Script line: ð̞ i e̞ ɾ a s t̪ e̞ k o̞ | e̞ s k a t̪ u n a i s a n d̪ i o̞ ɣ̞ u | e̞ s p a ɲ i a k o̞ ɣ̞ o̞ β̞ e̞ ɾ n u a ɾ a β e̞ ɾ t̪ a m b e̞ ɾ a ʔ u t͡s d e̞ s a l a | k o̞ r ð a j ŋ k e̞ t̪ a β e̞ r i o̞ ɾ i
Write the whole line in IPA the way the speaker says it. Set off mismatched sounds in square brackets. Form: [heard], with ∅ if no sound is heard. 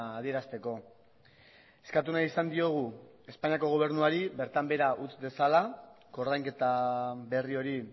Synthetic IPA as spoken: ð̞ i e̞ ɾ a s t̪ e̞ k o̞ | e̞ s k a t̪ u n a i s a n d̪ i o̞ ɣ̞ u | e̞ s p a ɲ i a k o̞ ɣ̞ o̞ β̞ e̞ ɾ n u a ɾ [i] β e̞ ɾ t̪ a m b e̞ ɾ a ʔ u t͡s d e̞ s a l a | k o̞ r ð a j ŋ k e̞ t̪ a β e̞ r i o̞ ɾ i

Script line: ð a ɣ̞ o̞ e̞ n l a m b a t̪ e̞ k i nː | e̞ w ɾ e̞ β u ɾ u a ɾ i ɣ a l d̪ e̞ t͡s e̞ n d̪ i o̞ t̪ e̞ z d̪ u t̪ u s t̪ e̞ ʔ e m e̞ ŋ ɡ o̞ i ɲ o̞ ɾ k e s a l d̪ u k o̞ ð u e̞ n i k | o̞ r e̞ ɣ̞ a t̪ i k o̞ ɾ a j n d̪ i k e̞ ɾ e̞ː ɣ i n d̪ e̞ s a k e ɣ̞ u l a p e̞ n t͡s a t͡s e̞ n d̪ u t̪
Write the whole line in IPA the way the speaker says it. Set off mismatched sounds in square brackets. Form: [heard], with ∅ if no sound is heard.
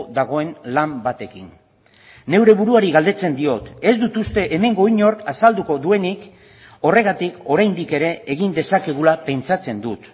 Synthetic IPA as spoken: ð a ɣ̞ o̞ e̞ n l a m b a t̪ e̞ k i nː | e̞ w ɾ e̞ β u ɾ u a ɾ i ɣ a l d̪ e̞ t͡s e̞ n d̪ i o̞ t̪ e̞ z d̪ u t̪ u s t̪ e̞ ʔ e m e̞ ŋ ɡ o̞ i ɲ o̞ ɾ k [a] s a l d̪ u k o̞ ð u e̞ n i k | o̞ r e̞ ɣ̞ a t̪ i k o̞ ɾ a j n d̪ i k e̞ ɾ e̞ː ɣ i n d̪ e̞ s a k e ɣ̞ u l a p e̞ n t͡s a t͡s e̞ n d̪ u t̪

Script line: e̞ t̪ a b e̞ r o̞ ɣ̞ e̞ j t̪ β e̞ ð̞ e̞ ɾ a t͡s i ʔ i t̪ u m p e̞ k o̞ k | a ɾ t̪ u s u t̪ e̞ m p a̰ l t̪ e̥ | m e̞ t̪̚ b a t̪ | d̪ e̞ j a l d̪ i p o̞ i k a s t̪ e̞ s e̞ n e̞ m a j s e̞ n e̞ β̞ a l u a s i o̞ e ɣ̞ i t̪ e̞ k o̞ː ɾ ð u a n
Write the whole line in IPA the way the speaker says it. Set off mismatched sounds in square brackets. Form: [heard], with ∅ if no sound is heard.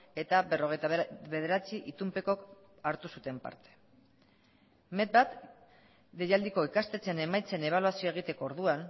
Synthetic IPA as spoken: e̞ t̪ a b e̞ r o̞ ɣ̞ e̞ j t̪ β e̞ ð̞ e̞ ɾ a t͡s i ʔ i t̪ u m p e̞ k o̞ k | a ɾ t̪ u s u t̪ e̞ m p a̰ [ɾ] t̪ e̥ | m e̞ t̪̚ b a t̪ | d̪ e̞ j a l d̪ i [k] o̞ i k a s t̪ e̞ [t͡s] e̞ n e̞ m a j [t͡s] e̞ n e̞ β̞ a l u a s i o̞ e ɣ̞ i t̪ e̞ k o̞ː ɾ ð u a n

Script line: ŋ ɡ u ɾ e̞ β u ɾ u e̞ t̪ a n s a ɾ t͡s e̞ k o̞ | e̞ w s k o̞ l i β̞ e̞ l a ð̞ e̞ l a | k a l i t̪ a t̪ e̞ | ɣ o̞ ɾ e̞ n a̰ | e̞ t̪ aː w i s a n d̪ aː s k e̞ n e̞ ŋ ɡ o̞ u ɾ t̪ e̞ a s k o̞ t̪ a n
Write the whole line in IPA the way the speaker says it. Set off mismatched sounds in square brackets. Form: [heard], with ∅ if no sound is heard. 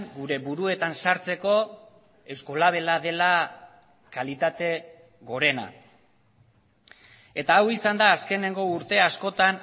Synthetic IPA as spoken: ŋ ɡ u ɾ e̞ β u ɾ u e̞ t̪ a n s a ɾ t͡s e̞ k o̞ | e̞ w s k o̞ l [a] β̞ e̞ l a ð̞ e̞ l a | k a l i t̪ a t̪ e̞ | ɣ o̞ ɾ e̞ n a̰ | e̞ t̪ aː w i s a n d̪ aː s k e̞ n e̞ ŋ ɡ o̞ u ɾ t̪ e̞ a s k o̞ t̪ a n

